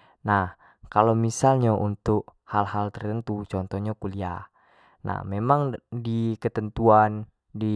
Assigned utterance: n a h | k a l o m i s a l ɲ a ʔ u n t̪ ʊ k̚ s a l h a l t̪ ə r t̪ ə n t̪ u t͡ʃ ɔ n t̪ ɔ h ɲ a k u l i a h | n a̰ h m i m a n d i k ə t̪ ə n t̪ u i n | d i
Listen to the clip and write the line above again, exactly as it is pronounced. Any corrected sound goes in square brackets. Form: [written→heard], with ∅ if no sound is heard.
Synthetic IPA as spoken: n a h | k a l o m i s a l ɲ a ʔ u n t̪ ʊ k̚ [s→h] a l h a l t̪ ə r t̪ ə n t̪ u t͡ʃ ɔ n t̪ ɔ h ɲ a k u l i a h | n a̰ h m [i→e] m a [n→ŋ] d i k ə t̪ ə n t̪ u [i→a] n | d i

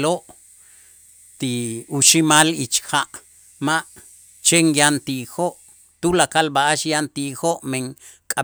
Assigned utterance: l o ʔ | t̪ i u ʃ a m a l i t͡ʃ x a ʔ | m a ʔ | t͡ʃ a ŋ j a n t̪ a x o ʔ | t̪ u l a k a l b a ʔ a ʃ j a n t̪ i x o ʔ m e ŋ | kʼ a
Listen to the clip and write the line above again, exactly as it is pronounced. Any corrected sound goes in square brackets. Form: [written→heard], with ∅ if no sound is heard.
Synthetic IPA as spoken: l o ʔ | t̪ i u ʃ [a→i] m a l i t͡ʃ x a ʔ | m a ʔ | t͡ʃ [a→e] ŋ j a n t̪ [a→i] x o ʔ | t̪ u l a k a l b a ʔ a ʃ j a n t̪ i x o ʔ m e ŋ | kʼ a

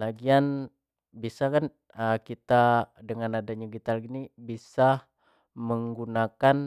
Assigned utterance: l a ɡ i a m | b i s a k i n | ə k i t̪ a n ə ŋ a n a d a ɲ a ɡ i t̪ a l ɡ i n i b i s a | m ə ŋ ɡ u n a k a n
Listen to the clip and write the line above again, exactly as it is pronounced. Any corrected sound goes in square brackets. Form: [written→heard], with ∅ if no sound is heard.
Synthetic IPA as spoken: l a ɡ i a [m→n] | b i s a k [i→a] n | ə k i t̪ a [n→d] ə ŋ a n a d a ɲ a ɡ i t̪ a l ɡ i n i b i s a | m ə ŋ ɡ u n a k a n

